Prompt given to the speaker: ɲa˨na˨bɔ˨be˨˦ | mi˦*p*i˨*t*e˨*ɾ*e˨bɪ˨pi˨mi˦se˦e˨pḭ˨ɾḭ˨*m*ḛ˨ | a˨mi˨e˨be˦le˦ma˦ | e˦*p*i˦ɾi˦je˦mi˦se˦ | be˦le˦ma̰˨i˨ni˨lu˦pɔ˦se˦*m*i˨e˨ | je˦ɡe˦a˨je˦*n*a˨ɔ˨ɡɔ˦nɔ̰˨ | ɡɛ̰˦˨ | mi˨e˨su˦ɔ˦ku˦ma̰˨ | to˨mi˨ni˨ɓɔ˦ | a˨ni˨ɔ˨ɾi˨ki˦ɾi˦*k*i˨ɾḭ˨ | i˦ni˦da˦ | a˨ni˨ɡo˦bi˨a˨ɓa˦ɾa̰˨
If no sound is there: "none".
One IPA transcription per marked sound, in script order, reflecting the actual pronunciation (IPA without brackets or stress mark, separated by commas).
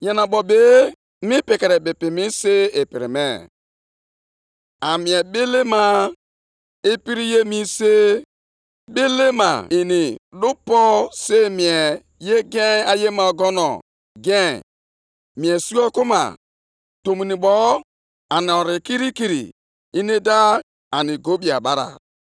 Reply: p, k, ɾ, m, p, m, m, k